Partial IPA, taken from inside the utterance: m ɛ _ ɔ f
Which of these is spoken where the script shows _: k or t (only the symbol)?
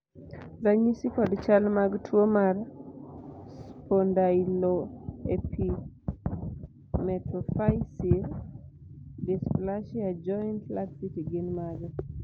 t